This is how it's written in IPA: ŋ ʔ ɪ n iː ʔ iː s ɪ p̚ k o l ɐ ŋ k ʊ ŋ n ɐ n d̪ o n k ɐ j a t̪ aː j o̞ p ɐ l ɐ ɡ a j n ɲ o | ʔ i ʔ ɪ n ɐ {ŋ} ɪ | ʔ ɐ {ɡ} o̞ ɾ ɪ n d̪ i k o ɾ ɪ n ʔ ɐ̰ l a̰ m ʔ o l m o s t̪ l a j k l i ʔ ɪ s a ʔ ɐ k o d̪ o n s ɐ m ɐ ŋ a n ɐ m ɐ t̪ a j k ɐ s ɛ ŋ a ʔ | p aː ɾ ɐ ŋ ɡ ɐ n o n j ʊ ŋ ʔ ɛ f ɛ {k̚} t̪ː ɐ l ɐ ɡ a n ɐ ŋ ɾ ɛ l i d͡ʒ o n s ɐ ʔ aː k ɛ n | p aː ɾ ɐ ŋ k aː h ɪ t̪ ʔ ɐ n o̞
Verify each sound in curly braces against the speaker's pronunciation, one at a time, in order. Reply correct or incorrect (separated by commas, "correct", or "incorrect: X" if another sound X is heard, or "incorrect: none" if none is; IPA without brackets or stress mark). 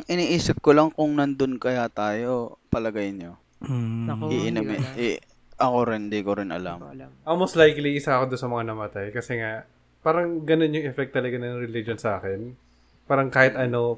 incorrect: m, incorrect: k, correct